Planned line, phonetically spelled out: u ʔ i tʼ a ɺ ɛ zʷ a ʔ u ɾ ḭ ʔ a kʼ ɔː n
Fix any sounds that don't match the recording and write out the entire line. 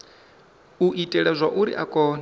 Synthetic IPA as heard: u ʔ i tʼ ɛ ɺ ɛ zʷ a ʔ u ɾ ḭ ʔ a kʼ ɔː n